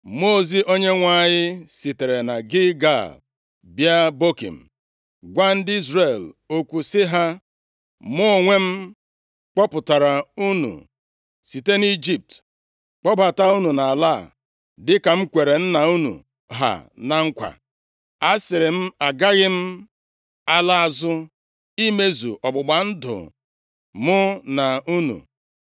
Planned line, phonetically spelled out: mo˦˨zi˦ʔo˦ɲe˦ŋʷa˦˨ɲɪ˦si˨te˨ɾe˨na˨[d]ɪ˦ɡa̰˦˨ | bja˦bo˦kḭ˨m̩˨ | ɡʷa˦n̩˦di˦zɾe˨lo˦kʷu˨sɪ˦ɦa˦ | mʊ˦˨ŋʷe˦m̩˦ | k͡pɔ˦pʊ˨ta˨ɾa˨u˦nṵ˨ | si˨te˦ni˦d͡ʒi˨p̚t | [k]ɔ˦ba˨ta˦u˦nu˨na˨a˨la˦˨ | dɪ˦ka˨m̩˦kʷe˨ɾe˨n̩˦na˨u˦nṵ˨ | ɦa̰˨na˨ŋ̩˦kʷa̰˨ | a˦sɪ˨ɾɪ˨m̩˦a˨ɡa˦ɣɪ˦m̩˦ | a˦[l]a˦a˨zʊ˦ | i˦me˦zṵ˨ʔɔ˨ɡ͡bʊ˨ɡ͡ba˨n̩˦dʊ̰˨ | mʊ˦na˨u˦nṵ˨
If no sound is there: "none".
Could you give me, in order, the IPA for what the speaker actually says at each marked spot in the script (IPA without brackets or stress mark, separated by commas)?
ɡ, k͡p, l